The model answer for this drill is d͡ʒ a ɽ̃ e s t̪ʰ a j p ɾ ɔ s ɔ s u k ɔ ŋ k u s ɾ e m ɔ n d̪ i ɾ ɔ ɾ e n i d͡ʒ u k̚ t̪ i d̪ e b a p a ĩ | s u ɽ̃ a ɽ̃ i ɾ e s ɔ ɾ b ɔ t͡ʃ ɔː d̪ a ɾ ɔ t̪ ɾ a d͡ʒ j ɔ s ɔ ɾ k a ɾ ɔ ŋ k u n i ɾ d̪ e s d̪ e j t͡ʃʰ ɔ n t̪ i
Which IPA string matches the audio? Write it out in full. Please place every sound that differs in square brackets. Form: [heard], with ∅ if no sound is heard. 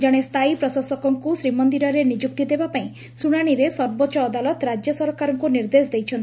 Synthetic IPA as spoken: d͡ʒ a ɽ̃ e s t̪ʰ a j p ɾ ɔ s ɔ s [ɔ] k ɔ ŋ k u s ɾ [i] m ɔ n d̪ i ɾ ɔ ɾ e n i d͡ʒ u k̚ t̪ i d̪ e b a p a ĩ | s u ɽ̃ a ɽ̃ i ɾ e s ɔ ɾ b ɔ t͡ʃ ɔː d̪ a [l] ɔ t̪ ɾ a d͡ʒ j ɔ s ɔ ɾ k a ɾ ɔ ŋ k u n i ɾ d̪ e s d̪ e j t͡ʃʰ ɔ n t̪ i